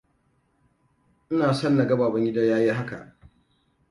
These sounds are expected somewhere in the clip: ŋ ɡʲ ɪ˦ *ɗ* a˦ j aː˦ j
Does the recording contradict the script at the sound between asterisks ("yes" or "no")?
yes